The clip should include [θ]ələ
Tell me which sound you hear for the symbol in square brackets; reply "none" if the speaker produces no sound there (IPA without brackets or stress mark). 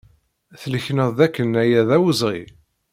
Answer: θ